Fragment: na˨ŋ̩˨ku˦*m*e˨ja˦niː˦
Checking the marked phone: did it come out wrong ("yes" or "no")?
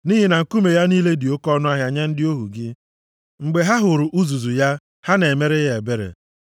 no